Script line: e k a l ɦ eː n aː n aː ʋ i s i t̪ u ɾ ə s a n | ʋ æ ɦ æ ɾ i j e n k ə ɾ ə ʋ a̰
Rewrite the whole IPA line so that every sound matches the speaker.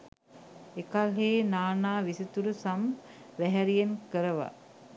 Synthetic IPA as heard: e k a l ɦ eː n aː n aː ʋ i s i t̪ u ɾ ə s a m | ʋ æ ɦ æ ɾ i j e n k ə ɾ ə ʋ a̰